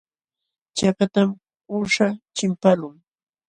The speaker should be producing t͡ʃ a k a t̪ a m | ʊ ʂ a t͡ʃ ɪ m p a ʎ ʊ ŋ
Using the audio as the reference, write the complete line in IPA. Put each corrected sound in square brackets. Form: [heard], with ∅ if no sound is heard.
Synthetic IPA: t͡ʃ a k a t̪ a m | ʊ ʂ a t͡ʃ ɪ m p a [l] ʊ ŋ